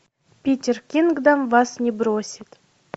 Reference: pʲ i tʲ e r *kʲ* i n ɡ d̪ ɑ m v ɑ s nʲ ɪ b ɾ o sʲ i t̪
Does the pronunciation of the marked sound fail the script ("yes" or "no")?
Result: no